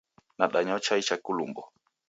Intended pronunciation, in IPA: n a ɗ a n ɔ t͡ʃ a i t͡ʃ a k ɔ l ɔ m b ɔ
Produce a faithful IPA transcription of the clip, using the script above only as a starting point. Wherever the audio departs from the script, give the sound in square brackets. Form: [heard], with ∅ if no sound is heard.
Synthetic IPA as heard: n a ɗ a [ɲ] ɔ t͡ʃ a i t͡ʃ a k [u] l [u] m b ɔ